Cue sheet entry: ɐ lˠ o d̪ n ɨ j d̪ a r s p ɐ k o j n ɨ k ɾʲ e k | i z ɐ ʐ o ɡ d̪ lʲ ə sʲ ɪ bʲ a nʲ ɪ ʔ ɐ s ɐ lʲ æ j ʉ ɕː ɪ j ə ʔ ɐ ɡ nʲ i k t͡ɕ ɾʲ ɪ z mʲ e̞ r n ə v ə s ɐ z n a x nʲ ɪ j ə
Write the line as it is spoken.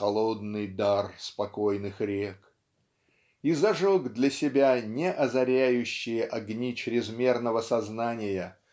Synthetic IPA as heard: ɐ lˠ o d̪ n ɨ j d̪ a r s p ɐ k o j n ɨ x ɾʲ e k | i z ɐ ʐ o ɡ d̪ lʲ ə sʲ ɪ bʲ a nʲ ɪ ʔ ɐ z ɐ ɾʲ æ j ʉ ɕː ɪ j ə ʔ ɐ ɡ nʲ i t͡ɕ ɾʲ ɪ z mʲ e̞ r n ə v ə s ɐ z n a nʲ ɪ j ə